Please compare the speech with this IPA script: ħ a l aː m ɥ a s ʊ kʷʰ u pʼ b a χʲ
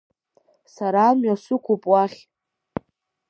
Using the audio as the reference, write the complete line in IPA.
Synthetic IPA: s a ɾ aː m ɥ a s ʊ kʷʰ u pʼ w a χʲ

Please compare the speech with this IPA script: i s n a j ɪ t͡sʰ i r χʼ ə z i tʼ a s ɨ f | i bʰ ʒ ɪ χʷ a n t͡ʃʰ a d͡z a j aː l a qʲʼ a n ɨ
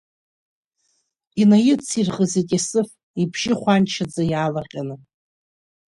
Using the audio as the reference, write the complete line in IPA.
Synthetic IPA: i n a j ɪ t͡sʰ i r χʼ ə z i tʼ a s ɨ f | i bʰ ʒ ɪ χʷ a n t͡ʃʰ a d͡z a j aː l a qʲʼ a n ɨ

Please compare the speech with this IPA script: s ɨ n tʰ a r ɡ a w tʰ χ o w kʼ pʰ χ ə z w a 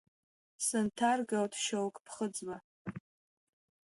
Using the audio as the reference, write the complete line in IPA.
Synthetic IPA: s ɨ n tʰ a r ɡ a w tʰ ʃ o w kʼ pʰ χ ə d͡z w a

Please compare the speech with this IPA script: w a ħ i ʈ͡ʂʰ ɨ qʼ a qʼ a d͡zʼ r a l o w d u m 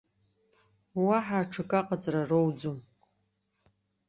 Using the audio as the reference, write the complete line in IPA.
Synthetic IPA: w a ħ a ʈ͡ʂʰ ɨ kʼ a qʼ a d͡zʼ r a r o w d͡z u m

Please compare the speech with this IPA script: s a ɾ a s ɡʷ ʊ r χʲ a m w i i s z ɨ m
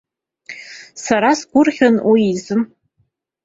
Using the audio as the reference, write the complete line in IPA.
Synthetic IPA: s a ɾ a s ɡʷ ʊ r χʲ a n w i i z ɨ m

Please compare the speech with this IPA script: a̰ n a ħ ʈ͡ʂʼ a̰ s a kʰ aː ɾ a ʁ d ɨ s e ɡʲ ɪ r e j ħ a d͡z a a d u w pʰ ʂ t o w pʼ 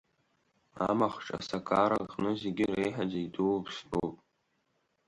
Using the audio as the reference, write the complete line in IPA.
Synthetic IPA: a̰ m a χ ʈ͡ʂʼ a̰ s a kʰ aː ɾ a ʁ n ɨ z e ɡʲ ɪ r e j ħ a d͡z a i d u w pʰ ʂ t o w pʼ

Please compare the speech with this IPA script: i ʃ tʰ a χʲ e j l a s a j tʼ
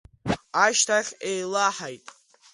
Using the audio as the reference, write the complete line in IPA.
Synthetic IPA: a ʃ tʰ a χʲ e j l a ħ a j tʼ

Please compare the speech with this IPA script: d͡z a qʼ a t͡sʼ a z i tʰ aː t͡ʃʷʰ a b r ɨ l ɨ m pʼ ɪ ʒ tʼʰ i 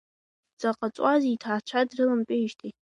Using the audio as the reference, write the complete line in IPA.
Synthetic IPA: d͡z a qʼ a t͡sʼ a z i tʰ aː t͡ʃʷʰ a d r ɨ l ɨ m pʼ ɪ ʒ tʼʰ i

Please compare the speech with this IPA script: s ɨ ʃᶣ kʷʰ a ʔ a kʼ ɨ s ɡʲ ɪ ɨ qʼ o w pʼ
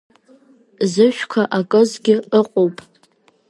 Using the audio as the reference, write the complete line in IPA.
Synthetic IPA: z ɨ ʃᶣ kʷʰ a ʔ a kʼ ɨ z ɡʲ ɪ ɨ qʼ o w pʼ

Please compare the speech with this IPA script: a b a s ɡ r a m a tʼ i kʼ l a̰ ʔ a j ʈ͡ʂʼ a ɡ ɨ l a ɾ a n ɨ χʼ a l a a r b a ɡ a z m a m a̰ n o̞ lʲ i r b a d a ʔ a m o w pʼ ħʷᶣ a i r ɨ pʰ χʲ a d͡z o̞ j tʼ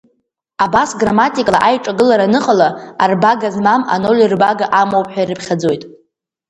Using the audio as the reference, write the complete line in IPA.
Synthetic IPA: a b a s ɡ r a m a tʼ i kʼ l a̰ ʔ a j ʈ͡ʂʼ a ɡ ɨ l a ɾ a n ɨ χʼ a l a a r b a ɡ a z m a m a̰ n o̞ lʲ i r b a ɡ a ʔ a m o w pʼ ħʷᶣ a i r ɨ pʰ χʲ a d͡z o̞ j tʼ

